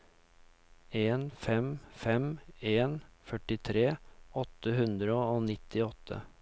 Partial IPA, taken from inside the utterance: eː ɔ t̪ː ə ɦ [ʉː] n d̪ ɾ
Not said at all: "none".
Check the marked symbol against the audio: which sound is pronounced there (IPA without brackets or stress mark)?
ʉ